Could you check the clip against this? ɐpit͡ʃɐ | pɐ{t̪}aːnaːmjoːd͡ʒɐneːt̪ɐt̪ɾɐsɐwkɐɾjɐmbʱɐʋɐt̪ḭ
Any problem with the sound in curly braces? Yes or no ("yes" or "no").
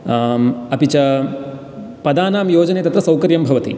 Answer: yes